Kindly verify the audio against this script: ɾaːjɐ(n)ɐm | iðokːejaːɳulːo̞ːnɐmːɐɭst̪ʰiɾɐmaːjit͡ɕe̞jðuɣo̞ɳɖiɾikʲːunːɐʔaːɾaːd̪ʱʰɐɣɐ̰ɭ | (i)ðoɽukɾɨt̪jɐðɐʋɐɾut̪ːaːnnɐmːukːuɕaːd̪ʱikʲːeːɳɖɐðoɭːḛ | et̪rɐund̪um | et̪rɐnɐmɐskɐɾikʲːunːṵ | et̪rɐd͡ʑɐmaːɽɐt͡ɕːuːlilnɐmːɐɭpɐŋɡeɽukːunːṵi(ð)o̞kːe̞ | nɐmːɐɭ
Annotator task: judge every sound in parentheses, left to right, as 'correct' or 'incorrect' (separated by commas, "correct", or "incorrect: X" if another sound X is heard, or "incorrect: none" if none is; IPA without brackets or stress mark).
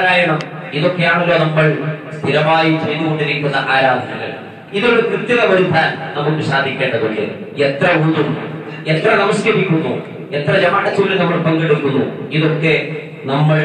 incorrect: ɳ, correct, correct